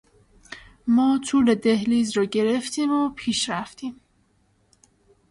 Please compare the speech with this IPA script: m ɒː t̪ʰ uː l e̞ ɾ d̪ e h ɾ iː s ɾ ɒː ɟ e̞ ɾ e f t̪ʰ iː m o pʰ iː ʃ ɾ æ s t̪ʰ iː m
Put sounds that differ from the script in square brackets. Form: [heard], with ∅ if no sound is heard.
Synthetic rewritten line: m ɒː t̪ʰ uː l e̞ [∅] d̪ e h [l] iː [z] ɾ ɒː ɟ e̞ ɾ e f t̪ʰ iː m o pʰ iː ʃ ɾ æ [f] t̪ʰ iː m